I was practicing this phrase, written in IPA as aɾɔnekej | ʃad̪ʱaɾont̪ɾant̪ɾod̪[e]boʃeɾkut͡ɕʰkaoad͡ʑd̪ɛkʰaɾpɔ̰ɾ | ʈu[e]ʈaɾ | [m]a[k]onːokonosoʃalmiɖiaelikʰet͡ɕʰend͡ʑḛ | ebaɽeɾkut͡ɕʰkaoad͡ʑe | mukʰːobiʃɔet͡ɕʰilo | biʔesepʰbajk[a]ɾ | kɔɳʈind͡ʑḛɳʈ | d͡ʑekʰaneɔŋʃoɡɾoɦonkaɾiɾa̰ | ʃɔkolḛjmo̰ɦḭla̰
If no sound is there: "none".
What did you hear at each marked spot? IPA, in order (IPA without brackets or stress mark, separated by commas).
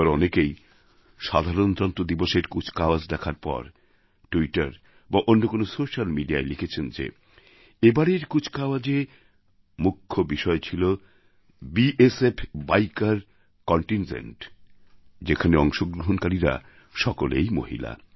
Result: i, i, b, ʔ, a